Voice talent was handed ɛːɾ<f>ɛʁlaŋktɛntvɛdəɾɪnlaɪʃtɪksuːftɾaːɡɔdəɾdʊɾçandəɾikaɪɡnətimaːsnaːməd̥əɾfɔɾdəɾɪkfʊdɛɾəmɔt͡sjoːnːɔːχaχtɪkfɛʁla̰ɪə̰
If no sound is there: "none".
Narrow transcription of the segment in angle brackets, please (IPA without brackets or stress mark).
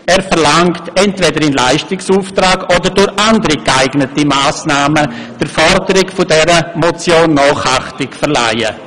f